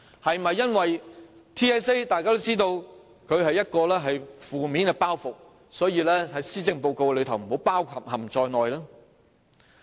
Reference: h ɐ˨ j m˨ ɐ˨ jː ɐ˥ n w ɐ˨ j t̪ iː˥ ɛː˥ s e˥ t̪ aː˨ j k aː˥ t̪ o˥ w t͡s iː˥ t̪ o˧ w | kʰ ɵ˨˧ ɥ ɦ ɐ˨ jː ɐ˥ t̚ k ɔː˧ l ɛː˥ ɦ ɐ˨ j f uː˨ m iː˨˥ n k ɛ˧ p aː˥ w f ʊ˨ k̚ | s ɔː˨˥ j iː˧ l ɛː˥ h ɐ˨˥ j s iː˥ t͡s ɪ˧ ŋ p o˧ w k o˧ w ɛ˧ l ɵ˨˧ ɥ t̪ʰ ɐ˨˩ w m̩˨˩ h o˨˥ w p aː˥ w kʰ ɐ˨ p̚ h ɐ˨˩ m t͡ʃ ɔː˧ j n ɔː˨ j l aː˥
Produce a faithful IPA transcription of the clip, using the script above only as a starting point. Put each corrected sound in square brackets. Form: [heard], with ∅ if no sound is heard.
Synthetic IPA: h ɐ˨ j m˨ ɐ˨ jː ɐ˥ n w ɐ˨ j [t̪ʰ] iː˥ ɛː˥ s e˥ t̪ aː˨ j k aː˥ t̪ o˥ w t͡s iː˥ t̪ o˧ w | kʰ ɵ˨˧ ɥ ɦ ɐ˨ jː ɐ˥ t̚ k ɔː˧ l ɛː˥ ɦ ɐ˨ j f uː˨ m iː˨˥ n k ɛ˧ p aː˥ w f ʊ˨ k̚ | s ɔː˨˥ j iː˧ l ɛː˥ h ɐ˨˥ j s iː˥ t͡s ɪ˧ ŋ p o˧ w k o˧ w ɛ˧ l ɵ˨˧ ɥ t̪ʰ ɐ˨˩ w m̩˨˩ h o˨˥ w p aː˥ w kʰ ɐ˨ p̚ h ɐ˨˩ m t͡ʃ ɔː˧ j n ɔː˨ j l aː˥